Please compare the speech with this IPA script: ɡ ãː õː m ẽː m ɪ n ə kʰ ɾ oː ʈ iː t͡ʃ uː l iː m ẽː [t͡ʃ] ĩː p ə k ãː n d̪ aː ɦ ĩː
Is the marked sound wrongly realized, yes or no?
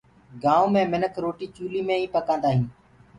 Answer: yes